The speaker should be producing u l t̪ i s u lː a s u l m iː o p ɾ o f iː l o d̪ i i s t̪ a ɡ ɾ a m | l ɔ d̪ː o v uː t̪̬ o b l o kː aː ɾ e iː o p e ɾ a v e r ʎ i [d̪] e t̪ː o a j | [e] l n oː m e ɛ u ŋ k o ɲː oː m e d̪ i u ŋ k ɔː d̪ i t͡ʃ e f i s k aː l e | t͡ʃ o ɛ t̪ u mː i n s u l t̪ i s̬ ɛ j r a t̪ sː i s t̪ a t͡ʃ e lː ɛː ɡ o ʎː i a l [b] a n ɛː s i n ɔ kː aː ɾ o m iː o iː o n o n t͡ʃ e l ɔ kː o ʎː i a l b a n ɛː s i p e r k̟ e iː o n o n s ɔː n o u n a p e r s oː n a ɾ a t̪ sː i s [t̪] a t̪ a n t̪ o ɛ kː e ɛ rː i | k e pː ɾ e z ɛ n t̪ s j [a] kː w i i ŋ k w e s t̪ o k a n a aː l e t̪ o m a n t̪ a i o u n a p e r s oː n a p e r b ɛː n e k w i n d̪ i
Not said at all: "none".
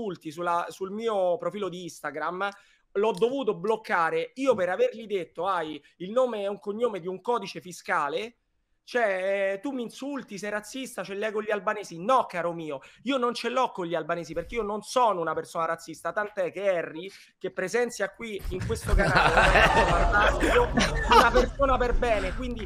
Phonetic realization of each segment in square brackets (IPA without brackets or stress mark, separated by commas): d̪, i, b, t̪, a